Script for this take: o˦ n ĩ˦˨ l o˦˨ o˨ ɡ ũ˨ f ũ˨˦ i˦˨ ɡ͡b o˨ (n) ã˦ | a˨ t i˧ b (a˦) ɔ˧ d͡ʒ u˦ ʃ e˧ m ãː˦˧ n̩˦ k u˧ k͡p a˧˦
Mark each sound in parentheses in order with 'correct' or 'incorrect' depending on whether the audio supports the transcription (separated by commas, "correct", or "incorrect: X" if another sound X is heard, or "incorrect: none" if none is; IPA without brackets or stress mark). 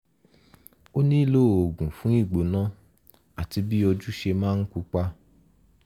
correct, incorrect: i˦